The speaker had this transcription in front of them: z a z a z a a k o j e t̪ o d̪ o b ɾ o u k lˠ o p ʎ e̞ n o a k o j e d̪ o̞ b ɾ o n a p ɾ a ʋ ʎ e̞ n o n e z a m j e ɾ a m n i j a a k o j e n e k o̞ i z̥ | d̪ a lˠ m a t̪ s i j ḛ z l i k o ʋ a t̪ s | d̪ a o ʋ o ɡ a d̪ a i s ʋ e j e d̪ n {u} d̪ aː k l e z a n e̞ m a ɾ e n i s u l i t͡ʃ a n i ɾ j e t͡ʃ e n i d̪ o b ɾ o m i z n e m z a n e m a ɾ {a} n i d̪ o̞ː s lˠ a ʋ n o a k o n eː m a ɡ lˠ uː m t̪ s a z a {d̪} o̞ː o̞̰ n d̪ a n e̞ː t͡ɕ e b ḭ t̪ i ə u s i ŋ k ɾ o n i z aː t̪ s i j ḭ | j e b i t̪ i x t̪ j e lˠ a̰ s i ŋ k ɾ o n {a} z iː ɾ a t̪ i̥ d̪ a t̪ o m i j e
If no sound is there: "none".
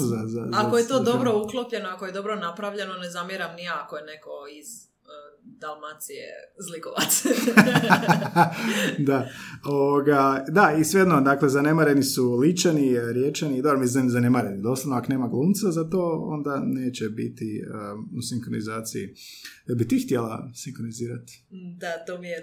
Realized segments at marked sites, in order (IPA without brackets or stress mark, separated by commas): o, e, t̪, i